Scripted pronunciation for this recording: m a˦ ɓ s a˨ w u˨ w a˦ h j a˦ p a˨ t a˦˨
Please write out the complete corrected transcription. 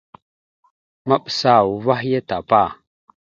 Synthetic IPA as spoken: m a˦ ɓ s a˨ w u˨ v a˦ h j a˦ t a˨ p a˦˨

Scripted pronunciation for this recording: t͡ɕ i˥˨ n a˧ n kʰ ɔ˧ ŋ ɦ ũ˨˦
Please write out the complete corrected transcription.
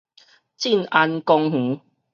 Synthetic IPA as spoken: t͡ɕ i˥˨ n a˧ n k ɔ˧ ŋ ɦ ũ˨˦

